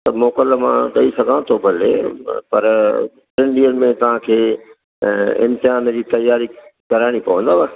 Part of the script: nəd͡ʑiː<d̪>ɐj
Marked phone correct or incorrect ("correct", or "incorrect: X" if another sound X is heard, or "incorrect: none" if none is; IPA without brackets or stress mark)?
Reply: incorrect: t̪